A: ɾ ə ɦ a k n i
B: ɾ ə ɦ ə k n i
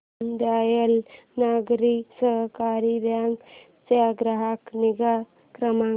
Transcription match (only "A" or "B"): A